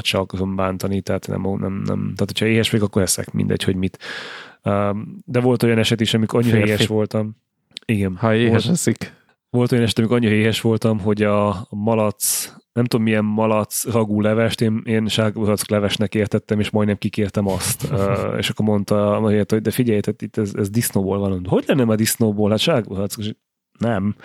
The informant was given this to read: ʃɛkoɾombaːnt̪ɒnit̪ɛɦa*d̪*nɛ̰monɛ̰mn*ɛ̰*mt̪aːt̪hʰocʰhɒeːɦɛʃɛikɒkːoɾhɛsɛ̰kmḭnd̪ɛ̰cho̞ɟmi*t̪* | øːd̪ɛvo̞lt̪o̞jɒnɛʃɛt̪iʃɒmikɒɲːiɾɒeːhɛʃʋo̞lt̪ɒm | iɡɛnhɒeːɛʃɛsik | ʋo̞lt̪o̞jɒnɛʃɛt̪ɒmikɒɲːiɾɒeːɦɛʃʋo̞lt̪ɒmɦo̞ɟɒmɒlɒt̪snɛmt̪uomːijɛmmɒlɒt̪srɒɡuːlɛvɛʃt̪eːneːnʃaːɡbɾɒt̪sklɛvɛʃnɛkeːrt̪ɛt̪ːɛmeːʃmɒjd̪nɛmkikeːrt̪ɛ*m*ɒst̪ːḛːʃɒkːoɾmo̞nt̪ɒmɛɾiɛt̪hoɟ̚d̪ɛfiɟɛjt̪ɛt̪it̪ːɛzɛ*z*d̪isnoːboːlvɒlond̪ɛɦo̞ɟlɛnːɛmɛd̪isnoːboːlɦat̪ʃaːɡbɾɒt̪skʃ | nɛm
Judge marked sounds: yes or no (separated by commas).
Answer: no, yes, yes, yes, yes